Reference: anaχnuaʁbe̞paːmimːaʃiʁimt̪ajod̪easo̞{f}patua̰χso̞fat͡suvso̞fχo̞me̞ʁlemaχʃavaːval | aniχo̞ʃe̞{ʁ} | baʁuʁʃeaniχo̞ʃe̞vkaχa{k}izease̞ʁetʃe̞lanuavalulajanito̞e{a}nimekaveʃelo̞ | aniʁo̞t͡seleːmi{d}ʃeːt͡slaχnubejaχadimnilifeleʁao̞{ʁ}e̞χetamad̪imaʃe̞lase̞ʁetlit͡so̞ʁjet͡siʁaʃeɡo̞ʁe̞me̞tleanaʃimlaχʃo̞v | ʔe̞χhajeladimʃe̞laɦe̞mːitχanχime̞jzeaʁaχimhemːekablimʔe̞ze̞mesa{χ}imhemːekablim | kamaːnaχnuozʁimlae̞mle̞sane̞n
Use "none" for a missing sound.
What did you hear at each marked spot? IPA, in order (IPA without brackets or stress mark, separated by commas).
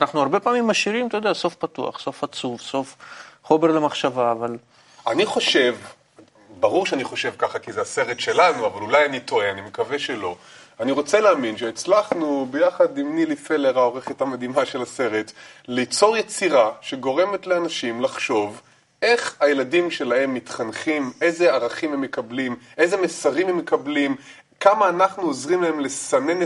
f, v, k, a, n, ʁ, ʁ